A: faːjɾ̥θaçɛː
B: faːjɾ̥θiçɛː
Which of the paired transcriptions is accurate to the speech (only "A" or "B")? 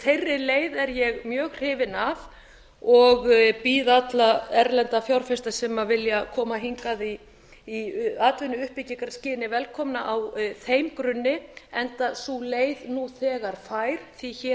B